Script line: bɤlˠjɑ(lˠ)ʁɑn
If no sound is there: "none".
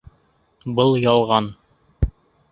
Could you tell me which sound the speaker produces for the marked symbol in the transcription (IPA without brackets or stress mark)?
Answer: lˠ